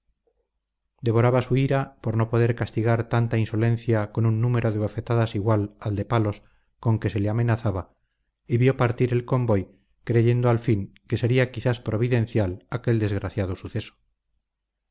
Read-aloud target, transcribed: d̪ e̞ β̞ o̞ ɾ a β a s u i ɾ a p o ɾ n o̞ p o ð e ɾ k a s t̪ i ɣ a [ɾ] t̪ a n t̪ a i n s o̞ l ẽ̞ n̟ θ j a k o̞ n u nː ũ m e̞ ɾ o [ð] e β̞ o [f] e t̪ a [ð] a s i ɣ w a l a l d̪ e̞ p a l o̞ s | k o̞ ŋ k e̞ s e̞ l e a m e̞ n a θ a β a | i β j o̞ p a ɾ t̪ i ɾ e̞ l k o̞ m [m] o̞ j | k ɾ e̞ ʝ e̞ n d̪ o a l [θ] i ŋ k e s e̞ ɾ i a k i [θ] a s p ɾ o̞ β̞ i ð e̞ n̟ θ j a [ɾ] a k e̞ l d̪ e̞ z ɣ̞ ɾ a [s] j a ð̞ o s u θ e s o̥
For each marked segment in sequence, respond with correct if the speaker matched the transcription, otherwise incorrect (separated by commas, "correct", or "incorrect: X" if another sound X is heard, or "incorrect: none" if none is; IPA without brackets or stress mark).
correct, correct, correct, correct, incorrect: b, incorrect: f, correct, incorrect: l, incorrect: θ